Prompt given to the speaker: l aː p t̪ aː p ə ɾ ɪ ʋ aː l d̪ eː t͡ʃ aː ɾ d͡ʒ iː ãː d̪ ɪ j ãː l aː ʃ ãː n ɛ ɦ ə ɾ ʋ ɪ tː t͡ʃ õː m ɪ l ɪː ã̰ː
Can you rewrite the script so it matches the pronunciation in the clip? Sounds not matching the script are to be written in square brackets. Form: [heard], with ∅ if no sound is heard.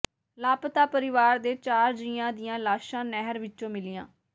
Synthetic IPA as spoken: l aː p t̪ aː p ə ɾ ɪ ʋ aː [ɾ] d̪ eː t͡ʃ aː ɾ d͡ʒ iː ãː d̪ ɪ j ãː l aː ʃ ãː n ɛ ɦ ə ɾ ʋ ɪ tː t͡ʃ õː m ɪ l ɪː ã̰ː